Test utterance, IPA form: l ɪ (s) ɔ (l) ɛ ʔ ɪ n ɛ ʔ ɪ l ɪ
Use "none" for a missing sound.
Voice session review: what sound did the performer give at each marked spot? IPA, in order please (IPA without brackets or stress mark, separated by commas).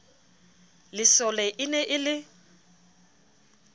s, l